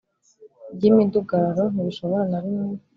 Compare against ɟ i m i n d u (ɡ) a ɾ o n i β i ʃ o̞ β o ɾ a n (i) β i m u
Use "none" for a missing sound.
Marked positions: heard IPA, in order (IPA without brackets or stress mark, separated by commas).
ɡ, a